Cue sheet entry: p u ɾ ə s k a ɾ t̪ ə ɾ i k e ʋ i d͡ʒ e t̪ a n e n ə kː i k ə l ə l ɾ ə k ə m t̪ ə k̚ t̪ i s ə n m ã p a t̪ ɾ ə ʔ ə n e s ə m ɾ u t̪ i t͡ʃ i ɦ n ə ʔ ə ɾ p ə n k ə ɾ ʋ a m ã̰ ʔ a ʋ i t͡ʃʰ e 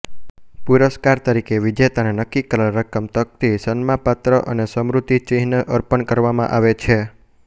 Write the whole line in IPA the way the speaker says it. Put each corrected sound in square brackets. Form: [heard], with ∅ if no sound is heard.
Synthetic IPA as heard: p u ɾ ə s k a ɾ t̪ ə ɾ i k e ʋ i d͡ʒ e t̪ a n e n ə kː i k ə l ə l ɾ ə k ə m t̪ ə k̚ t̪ i s ə n m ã p a t̪ ɾ ə ʔ ə n e s ə m ɾ u t̪ i t͡ʃ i ɦ n ə ʔ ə ɾ p ə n k ə ɾ ʋ a m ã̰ ʔ a ʋ [e] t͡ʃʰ e